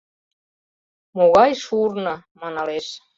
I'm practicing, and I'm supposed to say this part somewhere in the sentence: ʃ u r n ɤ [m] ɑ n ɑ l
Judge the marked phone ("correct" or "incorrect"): correct